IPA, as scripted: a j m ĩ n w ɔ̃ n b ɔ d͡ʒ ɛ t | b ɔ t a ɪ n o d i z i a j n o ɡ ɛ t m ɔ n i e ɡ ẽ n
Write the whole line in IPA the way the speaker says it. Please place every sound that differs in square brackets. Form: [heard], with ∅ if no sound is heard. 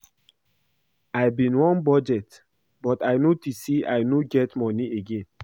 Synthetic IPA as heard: a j [b] ĩ n w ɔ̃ n b ɔ d͡ʒ ɛ t | b ɔ t a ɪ n o [t] i [s] i a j n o ɡ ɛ t m ɔ n i e ɡ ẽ n